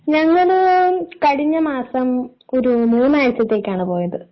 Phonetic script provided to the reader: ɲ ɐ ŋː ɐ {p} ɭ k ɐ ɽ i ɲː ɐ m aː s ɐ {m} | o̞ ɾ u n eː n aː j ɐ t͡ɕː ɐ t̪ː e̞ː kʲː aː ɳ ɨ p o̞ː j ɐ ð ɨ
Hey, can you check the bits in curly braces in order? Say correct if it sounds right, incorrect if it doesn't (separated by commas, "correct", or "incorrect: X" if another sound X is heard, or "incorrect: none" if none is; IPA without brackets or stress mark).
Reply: incorrect: none, correct